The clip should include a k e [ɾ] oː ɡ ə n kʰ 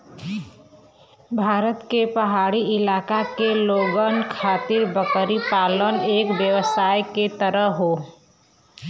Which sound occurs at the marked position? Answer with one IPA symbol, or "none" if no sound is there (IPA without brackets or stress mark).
l